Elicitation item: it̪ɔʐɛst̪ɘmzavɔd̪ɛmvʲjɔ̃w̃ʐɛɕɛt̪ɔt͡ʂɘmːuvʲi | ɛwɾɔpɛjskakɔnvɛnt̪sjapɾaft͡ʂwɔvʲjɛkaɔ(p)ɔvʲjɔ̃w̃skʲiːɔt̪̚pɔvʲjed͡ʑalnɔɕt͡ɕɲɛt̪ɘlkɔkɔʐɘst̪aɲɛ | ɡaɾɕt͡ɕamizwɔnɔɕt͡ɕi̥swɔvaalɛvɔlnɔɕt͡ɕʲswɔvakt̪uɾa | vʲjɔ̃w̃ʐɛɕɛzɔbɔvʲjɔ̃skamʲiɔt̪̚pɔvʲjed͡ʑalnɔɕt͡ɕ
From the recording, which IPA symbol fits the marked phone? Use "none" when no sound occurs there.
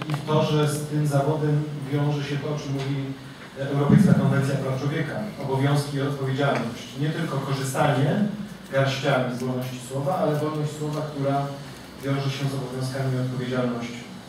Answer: b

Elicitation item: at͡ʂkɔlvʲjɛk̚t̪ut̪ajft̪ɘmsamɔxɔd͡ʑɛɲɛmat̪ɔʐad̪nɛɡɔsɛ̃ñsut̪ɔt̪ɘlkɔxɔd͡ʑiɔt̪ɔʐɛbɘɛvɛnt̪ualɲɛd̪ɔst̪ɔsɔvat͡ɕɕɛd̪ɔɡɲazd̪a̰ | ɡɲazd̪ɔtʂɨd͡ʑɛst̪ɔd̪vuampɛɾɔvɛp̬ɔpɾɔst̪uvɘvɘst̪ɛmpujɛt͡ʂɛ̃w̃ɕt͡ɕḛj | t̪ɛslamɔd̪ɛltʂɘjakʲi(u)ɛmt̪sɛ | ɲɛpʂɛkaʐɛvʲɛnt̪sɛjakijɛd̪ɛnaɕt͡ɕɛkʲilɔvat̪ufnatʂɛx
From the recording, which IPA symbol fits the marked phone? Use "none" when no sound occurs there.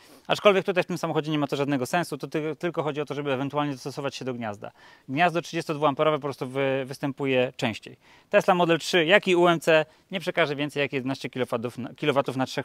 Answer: u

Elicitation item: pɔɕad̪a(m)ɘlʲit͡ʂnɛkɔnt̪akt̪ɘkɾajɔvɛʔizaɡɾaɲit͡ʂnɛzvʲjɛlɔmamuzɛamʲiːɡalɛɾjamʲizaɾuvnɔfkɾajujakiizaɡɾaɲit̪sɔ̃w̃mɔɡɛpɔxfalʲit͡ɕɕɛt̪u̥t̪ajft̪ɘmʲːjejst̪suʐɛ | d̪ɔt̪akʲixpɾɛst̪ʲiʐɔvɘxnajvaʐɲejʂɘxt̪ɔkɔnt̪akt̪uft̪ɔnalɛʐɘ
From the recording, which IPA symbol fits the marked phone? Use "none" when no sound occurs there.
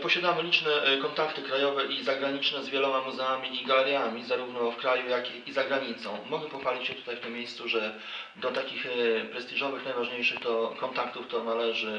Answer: m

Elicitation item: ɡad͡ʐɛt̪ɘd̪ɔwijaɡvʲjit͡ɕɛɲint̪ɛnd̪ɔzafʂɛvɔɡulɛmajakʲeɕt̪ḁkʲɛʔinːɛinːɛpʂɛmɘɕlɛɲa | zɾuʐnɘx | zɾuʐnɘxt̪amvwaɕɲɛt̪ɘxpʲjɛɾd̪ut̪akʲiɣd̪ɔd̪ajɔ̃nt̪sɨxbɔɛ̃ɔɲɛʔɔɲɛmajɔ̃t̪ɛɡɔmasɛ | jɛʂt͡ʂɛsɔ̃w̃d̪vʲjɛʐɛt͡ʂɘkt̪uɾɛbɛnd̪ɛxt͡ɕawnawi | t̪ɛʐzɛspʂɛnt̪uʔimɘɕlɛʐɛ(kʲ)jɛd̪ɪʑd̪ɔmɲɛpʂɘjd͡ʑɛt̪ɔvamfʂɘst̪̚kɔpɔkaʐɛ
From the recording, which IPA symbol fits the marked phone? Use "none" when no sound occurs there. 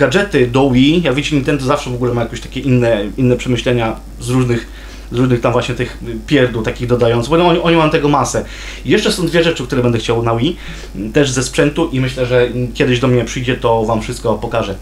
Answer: kʲ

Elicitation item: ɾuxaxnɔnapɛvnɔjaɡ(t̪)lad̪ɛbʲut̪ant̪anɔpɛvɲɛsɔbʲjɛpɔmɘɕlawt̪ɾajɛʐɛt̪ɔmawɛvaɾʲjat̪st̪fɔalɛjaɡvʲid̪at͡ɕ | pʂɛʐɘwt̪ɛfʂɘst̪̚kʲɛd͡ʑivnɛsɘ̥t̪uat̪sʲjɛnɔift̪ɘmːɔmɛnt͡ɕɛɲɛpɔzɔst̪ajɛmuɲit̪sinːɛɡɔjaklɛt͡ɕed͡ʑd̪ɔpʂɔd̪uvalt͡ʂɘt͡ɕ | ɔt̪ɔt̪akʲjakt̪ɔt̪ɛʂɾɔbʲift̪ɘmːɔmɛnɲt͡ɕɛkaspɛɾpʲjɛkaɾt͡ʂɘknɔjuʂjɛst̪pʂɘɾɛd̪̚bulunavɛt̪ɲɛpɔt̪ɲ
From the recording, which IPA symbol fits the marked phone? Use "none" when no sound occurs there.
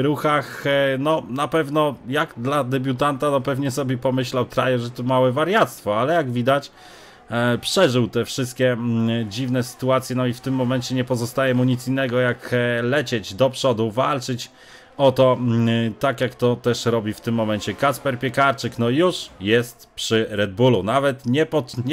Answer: d̪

